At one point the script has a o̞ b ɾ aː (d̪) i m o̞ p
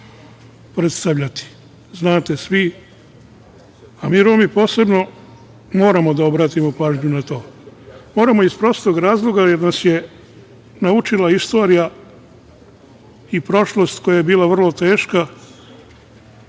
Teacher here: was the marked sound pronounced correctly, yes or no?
no